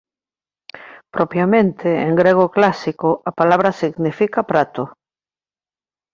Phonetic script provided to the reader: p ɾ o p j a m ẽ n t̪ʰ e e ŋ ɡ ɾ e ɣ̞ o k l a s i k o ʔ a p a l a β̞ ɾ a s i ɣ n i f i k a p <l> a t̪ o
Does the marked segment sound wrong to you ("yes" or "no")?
yes